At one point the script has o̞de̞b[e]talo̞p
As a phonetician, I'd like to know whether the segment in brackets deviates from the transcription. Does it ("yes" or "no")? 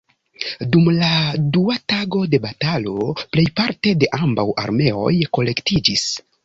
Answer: yes